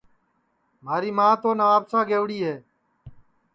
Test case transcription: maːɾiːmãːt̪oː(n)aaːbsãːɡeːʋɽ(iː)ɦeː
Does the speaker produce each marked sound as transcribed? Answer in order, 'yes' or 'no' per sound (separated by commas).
yes, yes